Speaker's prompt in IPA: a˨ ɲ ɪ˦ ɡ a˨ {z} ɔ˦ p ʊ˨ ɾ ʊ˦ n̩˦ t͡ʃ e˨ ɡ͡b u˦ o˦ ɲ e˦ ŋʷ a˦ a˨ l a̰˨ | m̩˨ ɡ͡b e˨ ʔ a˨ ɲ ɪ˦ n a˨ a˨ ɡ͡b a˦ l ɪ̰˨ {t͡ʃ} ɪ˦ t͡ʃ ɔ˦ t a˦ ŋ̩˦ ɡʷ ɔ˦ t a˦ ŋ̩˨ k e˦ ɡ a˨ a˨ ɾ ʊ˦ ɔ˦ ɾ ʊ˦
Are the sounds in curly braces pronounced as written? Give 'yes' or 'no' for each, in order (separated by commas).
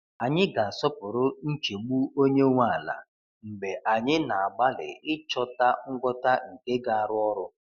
no, no